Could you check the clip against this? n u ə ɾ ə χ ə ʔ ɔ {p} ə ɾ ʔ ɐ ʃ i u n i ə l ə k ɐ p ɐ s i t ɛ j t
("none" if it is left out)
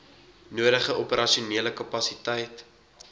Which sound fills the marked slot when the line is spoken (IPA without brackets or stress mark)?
p